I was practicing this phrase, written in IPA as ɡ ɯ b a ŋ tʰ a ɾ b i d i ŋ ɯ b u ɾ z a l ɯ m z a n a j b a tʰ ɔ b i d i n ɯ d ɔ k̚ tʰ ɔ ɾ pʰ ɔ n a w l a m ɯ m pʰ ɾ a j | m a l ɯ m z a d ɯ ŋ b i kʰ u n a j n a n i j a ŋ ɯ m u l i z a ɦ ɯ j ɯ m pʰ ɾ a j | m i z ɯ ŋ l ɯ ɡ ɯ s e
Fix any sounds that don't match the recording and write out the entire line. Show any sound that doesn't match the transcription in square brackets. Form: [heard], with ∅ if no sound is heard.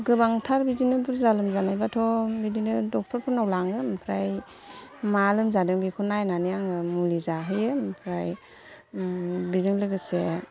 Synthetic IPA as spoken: ɡ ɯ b a ŋ tʰ a ɾ b i d i [n] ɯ b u ɾ z a l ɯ m z a n a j b a tʰ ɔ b i d i n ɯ d ɔ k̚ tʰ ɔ ɾ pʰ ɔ n a w l a [ŋ] ɯ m pʰ ɾ a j | m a l ɯ m z a d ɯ ŋ b i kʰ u n a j n a n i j a ŋ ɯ m u l i z a ɦ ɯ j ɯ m pʰ ɾ a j | [b] i z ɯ ŋ l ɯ ɡ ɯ s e